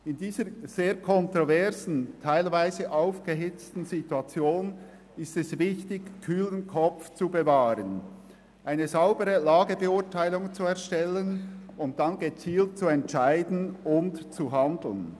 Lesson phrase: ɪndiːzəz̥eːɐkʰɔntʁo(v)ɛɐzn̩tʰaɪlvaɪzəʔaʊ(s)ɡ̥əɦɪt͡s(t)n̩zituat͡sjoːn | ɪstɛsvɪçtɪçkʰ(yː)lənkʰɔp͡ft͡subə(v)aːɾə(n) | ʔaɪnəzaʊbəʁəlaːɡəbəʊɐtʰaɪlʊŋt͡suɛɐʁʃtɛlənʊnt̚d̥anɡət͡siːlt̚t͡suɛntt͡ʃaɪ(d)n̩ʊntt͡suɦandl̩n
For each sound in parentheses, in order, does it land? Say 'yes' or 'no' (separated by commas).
yes, no, yes, yes, yes, yes, yes